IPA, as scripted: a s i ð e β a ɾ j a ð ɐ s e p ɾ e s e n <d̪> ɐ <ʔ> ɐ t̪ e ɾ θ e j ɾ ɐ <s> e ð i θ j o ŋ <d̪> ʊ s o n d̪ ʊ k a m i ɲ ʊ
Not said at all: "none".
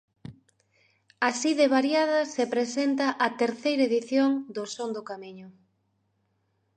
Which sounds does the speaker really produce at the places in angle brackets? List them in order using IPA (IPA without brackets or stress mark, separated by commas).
t̪, ʔ, none, d̪